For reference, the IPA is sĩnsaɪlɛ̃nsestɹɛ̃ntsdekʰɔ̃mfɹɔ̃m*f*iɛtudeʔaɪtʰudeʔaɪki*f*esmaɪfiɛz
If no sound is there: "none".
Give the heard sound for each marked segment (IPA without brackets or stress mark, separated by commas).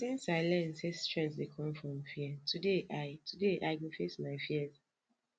f, f